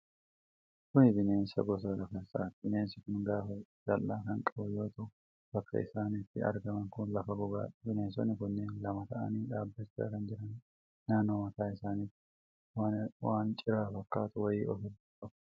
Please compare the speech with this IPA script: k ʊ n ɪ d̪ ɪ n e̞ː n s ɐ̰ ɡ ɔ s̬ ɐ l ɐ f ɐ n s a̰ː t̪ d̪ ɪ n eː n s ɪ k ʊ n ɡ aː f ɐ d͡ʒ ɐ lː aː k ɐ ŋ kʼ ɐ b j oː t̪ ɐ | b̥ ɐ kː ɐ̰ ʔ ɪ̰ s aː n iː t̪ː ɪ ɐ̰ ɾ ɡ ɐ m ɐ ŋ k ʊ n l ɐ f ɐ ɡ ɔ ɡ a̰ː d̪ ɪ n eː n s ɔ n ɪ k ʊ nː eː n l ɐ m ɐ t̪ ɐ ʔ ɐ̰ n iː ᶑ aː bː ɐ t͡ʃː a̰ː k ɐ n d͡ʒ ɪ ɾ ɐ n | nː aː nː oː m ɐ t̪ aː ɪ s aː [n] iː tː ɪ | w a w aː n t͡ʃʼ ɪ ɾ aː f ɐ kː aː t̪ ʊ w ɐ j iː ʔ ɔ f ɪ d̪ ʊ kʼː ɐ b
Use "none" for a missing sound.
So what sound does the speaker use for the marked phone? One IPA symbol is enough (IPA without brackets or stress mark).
n